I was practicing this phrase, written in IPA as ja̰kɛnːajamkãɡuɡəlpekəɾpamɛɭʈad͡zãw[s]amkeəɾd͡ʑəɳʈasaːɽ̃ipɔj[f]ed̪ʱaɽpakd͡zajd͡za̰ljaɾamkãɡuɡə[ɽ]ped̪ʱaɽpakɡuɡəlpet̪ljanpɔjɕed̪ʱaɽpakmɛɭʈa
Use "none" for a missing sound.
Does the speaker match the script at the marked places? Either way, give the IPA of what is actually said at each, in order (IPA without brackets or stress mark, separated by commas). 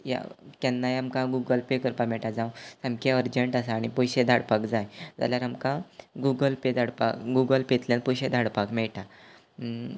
s, ɕ, l